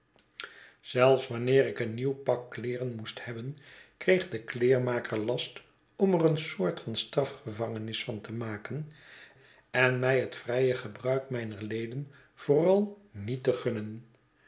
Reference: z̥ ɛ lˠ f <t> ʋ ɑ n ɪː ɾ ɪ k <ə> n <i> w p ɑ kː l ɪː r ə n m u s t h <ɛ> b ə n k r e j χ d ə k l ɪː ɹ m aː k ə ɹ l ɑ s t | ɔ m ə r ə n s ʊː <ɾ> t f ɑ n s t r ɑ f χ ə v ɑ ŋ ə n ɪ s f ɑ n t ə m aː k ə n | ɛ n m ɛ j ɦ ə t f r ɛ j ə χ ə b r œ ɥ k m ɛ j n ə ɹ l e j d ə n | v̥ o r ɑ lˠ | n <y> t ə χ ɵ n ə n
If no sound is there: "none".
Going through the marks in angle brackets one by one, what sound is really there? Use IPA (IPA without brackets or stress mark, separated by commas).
s, ə, i, ɛ, ɹ, i